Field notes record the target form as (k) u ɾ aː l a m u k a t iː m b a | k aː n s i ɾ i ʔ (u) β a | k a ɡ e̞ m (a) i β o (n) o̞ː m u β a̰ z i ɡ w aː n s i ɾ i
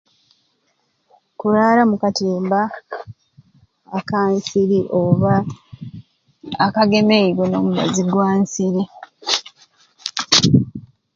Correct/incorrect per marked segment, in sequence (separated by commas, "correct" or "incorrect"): correct, incorrect, incorrect, correct